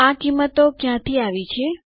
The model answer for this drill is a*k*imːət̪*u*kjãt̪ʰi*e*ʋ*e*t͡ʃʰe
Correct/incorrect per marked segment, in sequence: correct, incorrect: o, incorrect: a, incorrect: i

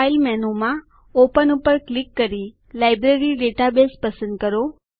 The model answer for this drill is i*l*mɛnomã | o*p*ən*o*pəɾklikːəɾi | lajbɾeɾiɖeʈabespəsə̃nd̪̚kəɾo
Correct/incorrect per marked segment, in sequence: correct, correct, incorrect: u

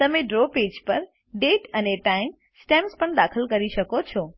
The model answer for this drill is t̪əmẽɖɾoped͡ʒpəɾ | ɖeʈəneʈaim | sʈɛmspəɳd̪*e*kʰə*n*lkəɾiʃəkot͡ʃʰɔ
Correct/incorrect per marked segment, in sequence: incorrect: a, incorrect: none

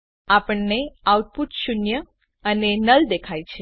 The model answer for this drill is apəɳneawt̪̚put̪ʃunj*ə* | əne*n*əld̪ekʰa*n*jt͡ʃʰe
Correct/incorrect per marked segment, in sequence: correct, correct, incorrect: none

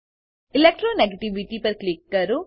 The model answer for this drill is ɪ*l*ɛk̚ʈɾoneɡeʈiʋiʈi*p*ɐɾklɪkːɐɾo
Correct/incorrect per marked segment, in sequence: correct, correct

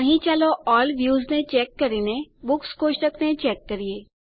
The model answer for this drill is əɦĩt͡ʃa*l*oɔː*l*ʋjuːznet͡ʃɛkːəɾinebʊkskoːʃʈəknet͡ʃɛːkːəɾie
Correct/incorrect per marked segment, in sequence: correct, correct

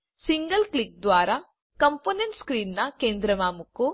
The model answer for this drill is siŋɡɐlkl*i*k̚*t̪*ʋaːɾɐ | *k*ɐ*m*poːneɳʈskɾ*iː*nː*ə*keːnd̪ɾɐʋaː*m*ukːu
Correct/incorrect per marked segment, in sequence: correct, incorrect: d̪, correct, correct, correct, incorrect: ɐ, correct

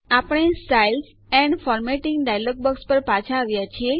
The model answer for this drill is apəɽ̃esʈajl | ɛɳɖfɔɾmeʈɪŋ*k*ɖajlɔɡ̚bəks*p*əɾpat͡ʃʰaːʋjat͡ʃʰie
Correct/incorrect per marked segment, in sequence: incorrect: ɡ, correct

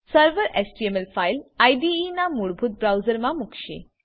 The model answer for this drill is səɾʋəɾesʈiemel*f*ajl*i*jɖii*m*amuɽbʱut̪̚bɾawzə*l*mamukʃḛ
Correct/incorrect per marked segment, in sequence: correct, incorrect: a, incorrect: n, incorrect: ɾ

